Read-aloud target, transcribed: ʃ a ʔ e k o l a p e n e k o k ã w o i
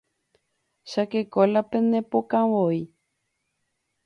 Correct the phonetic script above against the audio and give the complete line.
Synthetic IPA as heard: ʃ a k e k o l a p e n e p o k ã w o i